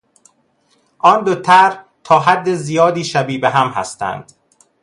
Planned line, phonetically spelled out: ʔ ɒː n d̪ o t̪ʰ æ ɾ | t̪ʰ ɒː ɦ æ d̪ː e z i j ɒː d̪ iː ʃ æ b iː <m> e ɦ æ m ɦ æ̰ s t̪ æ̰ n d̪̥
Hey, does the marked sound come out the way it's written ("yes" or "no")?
no